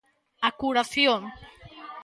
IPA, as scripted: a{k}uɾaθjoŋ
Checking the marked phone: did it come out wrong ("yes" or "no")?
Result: no